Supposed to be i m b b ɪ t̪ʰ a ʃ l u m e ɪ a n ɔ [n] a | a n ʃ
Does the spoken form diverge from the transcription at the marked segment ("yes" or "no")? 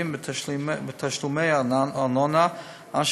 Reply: no